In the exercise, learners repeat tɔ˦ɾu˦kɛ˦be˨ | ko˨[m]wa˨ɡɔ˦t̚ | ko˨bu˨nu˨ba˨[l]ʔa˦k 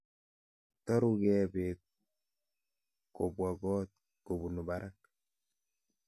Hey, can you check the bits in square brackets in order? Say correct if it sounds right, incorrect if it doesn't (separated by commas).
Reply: incorrect, incorrect